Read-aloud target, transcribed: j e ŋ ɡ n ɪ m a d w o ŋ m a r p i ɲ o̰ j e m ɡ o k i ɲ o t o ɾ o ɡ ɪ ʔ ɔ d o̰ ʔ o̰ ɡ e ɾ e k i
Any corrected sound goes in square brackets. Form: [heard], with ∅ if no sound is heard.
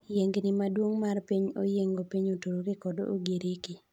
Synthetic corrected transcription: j e ŋ ɡ n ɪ m a d w o ŋ m a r p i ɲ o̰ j e [ŋ] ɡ o [p] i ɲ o t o ɾ o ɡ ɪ [k] ɔ d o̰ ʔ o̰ ɡ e ɾ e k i